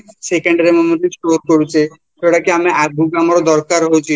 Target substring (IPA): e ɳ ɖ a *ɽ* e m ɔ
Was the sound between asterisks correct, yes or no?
no